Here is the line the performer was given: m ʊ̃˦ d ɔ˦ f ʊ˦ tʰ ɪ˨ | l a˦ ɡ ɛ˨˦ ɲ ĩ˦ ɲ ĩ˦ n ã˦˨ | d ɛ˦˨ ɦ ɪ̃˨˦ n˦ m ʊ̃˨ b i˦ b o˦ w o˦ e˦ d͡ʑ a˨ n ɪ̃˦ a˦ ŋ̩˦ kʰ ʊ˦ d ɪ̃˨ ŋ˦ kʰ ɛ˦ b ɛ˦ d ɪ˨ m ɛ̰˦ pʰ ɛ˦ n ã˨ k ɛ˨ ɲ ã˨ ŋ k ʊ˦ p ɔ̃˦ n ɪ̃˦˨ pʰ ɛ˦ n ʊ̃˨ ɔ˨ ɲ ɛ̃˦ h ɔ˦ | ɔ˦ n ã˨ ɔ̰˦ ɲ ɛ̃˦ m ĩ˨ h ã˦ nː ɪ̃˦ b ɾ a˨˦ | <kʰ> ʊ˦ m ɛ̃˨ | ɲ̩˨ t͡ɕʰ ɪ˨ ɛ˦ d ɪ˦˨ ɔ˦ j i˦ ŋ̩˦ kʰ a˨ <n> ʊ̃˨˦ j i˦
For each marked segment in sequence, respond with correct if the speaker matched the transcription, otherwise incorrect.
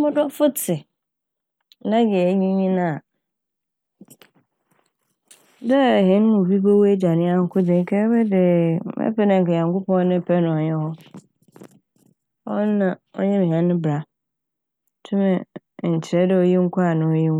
incorrect: tʰ, correct

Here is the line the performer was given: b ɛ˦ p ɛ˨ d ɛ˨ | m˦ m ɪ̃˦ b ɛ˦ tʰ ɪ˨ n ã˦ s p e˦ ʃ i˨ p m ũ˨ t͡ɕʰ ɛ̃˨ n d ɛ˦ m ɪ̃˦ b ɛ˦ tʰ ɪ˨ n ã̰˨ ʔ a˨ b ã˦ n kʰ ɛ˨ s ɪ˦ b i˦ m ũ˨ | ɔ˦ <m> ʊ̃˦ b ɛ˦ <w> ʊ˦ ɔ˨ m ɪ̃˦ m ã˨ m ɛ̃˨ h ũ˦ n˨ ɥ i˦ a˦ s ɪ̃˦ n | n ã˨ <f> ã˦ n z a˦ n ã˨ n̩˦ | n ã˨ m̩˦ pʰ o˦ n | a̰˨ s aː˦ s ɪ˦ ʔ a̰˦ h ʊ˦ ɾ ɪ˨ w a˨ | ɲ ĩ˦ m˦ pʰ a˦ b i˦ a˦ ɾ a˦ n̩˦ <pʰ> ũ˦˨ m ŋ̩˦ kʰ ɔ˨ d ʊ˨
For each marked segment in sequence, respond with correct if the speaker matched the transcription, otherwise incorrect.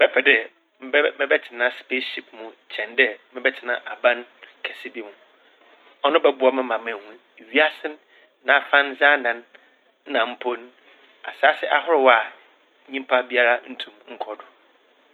incorrect: n, incorrect: b, correct, incorrect: tʰ

